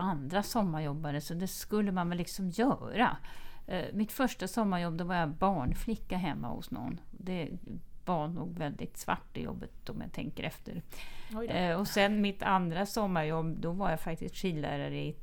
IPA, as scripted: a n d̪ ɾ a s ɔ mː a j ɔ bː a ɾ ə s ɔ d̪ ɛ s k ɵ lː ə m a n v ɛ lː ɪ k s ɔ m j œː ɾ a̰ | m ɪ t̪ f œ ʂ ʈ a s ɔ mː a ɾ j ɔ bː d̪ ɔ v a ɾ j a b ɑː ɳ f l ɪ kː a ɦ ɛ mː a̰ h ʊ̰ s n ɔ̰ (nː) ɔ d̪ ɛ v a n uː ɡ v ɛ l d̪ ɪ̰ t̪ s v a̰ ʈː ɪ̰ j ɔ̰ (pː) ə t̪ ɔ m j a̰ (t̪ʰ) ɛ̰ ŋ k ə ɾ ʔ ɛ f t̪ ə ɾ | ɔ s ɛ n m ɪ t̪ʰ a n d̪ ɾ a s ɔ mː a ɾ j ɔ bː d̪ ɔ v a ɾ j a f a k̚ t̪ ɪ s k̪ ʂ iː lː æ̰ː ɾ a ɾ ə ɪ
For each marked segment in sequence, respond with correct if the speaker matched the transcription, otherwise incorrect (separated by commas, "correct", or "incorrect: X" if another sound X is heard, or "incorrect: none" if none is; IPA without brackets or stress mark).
correct, incorrect: bː, correct